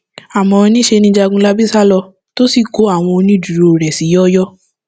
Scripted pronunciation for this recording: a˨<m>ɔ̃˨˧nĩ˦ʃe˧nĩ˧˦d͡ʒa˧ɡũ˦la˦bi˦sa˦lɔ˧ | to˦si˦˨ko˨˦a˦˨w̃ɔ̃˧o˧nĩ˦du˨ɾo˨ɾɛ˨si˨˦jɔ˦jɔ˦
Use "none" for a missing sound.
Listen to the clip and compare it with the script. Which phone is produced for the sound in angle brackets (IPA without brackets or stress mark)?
m